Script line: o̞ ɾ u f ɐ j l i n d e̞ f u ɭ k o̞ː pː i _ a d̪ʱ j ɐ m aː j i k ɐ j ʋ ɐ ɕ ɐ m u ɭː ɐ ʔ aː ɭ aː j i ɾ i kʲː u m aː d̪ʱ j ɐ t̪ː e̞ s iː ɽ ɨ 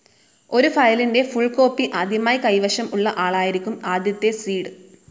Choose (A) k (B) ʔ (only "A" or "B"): B